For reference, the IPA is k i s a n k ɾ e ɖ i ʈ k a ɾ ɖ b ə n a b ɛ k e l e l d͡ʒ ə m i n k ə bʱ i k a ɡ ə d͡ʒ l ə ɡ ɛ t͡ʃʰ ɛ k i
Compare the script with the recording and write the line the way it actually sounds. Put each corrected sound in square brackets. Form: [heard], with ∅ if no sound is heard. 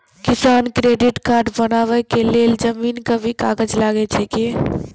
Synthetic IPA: k i s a n k ɾ e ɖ i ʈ k a ɾ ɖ b ə n a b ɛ k e l e l d͡ʒ ə m i n k ə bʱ i k a ɡ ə d͡ʒ l [a] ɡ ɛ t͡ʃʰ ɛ k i